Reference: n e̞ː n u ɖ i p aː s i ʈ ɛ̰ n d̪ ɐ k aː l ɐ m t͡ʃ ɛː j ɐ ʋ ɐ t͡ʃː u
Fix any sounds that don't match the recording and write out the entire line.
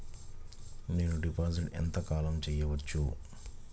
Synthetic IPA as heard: n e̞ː n u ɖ i p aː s i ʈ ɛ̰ n t̪ ɐ k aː l ɐ m t͡ʃ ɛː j ɐ ʋ ɐ t͡ʃː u